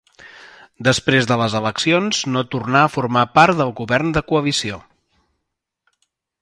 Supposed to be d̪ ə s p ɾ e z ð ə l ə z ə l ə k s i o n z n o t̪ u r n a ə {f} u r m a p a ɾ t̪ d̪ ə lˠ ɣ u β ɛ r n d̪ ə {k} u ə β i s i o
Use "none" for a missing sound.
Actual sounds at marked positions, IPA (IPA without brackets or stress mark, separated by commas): f, k